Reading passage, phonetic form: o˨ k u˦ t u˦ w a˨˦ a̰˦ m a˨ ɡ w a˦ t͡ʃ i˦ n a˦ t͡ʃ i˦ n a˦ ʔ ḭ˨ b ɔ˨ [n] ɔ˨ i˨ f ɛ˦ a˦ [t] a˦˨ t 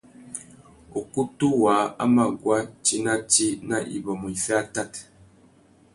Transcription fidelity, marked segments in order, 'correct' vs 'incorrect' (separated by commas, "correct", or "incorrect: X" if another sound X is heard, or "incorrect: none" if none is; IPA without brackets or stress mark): incorrect: m, correct